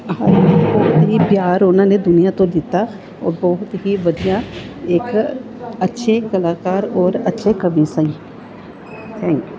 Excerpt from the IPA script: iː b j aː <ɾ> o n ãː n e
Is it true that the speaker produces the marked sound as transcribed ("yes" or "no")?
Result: yes